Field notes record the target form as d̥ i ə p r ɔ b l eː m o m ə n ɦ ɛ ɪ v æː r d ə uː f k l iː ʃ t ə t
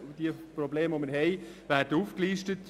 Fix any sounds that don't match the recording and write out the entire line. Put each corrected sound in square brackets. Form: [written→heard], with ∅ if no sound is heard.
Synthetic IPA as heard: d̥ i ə p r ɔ b l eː m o m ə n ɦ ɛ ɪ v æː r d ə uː f k l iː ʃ t ə t